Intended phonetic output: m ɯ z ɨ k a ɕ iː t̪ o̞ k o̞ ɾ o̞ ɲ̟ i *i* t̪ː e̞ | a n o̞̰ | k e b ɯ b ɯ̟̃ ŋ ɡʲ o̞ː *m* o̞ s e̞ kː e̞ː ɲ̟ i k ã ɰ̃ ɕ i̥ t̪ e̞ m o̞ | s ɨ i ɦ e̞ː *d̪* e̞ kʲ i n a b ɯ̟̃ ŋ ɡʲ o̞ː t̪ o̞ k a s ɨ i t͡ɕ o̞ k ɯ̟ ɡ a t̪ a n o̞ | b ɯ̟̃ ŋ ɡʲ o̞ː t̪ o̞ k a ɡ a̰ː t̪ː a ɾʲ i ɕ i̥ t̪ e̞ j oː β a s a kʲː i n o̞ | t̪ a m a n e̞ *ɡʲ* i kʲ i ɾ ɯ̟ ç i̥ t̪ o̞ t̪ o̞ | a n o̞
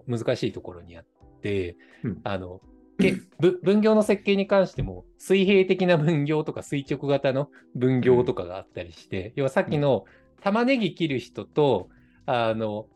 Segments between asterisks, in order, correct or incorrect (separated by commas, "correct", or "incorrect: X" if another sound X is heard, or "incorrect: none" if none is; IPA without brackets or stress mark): incorrect: a, incorrect: n, incorrect: t̪, correct